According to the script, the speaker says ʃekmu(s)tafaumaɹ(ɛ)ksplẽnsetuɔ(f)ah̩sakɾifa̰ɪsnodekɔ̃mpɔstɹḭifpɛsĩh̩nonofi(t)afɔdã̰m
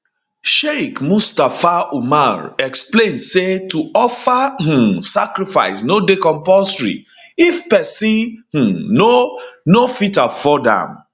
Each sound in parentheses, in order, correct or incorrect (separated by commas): correct, correct, correct, correct